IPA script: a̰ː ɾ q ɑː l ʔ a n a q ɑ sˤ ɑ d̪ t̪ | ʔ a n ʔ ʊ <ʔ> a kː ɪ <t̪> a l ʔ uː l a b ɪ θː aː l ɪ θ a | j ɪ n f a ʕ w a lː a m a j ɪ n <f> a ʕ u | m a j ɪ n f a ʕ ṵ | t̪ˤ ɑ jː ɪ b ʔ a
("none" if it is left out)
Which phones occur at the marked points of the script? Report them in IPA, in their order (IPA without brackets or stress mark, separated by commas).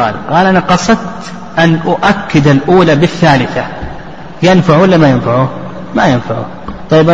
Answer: ʔ, d̪, f